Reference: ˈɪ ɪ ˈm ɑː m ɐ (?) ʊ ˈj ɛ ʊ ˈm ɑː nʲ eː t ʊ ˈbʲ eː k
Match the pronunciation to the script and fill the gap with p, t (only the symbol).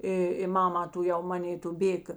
t